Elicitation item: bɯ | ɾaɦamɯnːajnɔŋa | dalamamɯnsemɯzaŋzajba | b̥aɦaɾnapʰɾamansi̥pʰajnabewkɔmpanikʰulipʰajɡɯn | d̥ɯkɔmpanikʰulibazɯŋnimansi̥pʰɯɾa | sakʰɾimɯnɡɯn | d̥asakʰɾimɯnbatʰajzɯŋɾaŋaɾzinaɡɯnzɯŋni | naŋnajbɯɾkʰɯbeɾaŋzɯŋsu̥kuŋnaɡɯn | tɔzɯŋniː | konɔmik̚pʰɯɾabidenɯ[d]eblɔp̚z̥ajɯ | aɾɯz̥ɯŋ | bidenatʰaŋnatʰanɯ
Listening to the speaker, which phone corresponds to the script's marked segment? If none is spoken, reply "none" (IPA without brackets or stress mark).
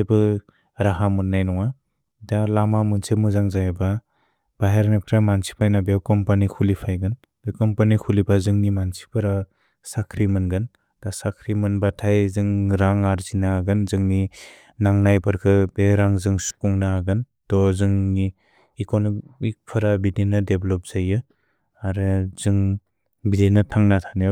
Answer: d